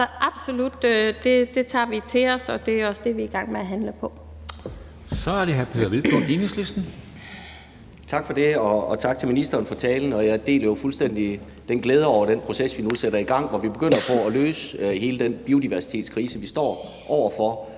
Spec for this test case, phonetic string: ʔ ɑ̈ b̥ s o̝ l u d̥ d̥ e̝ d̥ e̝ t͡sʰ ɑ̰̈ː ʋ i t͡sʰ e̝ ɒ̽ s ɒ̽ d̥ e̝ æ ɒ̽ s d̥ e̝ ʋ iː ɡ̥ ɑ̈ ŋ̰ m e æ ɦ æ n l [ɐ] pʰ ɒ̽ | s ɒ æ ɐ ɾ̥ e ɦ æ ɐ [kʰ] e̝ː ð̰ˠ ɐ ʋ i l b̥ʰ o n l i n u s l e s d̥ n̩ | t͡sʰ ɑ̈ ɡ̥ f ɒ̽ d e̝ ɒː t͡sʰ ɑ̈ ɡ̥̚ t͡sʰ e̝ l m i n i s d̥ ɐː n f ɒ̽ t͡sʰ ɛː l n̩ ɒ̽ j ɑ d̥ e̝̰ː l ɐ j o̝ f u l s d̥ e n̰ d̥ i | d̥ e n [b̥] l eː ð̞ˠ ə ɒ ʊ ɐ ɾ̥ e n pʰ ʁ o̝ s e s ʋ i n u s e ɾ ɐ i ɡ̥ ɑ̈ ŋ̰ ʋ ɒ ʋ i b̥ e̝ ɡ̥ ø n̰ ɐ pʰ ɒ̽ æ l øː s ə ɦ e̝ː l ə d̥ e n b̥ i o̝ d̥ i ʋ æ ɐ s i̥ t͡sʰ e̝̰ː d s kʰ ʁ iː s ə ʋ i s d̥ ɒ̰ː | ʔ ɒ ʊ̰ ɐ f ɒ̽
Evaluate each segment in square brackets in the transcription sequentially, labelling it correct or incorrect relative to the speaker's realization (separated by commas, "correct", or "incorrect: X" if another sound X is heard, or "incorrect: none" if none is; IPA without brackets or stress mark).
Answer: incorrect: ə, incorrect: pʰ, incorrect: ɡ̥